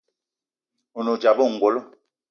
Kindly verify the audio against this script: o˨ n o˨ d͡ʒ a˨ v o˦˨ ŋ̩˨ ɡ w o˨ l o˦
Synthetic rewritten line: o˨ n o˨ d͡ʒ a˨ b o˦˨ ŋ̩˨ ɡ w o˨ l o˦